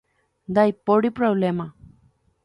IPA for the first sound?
d̪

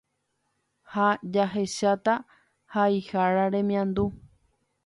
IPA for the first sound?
h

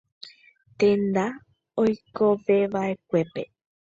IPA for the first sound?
t̪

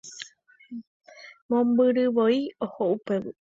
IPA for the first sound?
m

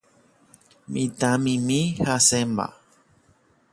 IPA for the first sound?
m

